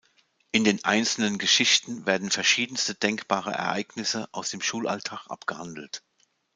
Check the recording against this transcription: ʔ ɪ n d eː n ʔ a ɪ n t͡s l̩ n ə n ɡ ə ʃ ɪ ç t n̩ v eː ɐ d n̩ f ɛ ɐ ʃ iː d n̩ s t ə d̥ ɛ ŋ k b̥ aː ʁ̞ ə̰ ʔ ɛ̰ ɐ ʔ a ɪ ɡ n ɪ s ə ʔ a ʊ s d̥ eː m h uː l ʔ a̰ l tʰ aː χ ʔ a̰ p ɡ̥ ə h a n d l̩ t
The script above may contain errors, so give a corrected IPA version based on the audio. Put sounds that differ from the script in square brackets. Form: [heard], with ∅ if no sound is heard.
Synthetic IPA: ʔ ɪ n d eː n ʔ a ɪ n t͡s l̩ n ə n ɡ ə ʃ ɪ ç t n̩ v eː ɐ d n̩ f ɛ ɐ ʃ iː d n̩ s t ə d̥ ɛ ŋ k b̥ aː ʁ̞ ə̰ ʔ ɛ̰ ɐ ʔ a ɪ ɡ n ɪ s ə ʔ a ʊ s d̥ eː m [ʃ] uː l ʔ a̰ l tʰ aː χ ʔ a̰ p ɡ̥ ə h a n d l̩ t